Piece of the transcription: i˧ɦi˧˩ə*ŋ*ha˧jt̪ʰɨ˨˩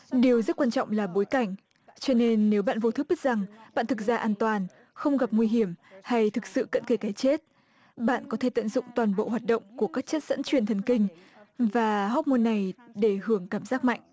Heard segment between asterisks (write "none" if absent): m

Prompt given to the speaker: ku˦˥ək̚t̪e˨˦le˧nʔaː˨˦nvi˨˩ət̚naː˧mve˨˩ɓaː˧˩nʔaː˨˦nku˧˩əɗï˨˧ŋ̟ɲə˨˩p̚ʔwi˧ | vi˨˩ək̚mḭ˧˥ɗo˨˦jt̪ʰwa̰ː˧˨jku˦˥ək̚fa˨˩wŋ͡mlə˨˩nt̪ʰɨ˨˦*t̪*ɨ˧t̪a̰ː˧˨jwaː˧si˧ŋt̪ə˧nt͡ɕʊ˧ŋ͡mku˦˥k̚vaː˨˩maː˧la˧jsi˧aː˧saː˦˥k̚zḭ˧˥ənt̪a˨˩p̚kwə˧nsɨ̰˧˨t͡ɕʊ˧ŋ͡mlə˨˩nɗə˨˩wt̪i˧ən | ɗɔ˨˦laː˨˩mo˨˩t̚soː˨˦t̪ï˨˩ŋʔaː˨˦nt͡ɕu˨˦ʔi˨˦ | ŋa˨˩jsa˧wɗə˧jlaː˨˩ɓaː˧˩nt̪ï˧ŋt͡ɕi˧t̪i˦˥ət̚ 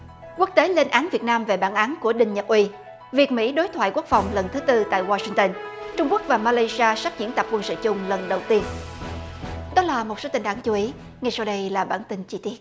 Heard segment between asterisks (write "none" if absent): t̪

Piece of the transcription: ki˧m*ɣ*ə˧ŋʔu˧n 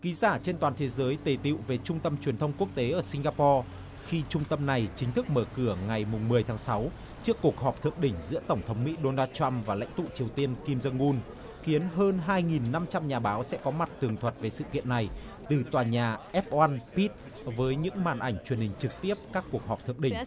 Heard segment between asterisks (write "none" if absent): z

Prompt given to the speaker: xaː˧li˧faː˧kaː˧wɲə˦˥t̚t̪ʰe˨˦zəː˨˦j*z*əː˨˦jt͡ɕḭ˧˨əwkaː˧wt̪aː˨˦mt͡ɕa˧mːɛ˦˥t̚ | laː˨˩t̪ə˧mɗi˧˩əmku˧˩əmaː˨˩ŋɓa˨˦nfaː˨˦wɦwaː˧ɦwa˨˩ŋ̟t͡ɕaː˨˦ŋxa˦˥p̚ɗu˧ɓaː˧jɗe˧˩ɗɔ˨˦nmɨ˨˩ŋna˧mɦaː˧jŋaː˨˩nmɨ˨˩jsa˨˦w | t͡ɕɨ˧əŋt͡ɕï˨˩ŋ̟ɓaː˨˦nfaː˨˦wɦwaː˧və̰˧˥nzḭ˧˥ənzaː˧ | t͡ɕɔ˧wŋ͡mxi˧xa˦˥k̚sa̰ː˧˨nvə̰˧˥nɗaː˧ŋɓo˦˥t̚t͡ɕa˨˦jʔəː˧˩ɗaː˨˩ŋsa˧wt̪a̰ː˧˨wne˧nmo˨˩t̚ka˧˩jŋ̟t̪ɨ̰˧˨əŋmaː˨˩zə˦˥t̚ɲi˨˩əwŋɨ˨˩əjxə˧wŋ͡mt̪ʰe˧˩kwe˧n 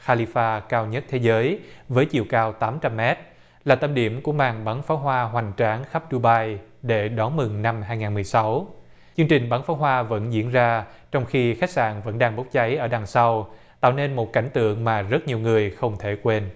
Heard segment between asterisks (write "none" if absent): v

